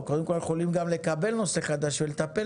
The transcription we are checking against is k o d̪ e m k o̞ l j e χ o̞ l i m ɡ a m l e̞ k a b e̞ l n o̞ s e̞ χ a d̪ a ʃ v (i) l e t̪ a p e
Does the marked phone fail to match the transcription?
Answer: yes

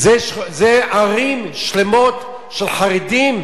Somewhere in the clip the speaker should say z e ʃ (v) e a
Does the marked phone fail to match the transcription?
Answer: yes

